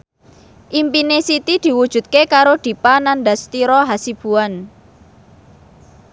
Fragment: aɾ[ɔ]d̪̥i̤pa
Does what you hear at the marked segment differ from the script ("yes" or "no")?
yes